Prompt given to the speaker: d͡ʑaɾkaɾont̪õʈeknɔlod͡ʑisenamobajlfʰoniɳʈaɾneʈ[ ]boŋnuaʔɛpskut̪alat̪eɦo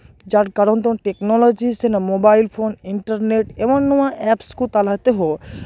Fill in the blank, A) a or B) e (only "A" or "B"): B